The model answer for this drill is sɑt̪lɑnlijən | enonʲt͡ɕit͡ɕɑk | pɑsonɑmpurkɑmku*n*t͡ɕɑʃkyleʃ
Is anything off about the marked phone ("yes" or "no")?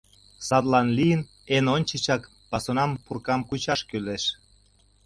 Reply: yes